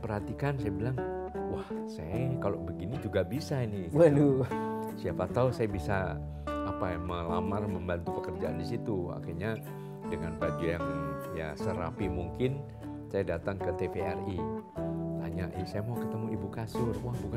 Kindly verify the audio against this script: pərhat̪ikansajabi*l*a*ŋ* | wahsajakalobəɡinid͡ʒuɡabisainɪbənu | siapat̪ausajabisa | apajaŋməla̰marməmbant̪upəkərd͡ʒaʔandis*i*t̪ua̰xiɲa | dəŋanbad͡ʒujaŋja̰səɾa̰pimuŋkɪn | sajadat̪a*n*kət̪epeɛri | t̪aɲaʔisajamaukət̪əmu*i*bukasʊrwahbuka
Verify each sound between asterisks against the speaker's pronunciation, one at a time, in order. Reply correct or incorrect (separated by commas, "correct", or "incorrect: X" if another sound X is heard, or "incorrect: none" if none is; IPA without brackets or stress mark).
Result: correct, correct, correct, incorrect: ŋ, correct